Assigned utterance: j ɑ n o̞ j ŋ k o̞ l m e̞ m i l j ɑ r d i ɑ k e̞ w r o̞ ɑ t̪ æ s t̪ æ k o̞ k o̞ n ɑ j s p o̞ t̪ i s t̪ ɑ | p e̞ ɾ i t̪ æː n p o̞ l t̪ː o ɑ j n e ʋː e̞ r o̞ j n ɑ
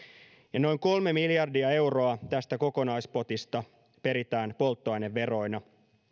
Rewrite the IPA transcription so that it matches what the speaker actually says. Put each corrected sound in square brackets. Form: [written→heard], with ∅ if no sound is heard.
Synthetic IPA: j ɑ n o̞ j ŋ k o̞ l m e̞ m i l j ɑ r d i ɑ [k→∅] e̞ w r o̞ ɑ t̪ æ s t̪ æ k o̞ k o̞ n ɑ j s p o̞ t̪ i s t̪ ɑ | p e̞ ɾ i t̪ æː n p o̞ l t̪ː o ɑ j n e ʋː e̞ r o̞ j n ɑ